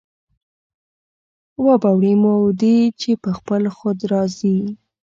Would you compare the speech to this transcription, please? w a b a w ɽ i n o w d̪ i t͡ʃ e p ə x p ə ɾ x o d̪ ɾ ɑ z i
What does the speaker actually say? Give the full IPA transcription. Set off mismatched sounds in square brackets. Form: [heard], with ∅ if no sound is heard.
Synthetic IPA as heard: w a b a w ɽ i [m] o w d̪ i t͡ʃ e p ə x p ə [l] x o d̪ ɾ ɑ z i